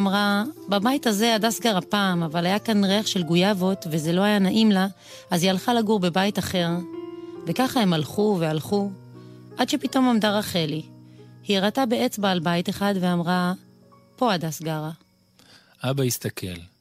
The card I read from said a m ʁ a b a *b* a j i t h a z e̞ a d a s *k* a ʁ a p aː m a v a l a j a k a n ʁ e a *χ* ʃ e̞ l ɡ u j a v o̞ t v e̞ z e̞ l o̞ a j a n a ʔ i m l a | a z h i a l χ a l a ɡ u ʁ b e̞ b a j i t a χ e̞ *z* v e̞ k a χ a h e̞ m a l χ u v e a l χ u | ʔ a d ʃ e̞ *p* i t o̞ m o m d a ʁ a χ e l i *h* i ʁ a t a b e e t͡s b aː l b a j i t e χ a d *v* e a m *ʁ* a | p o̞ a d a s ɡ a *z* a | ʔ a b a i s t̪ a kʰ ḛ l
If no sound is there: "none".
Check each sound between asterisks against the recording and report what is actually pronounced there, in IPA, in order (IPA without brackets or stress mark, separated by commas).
b, ɡ, χ, ʁ, p, h, v, ʁ, ʁ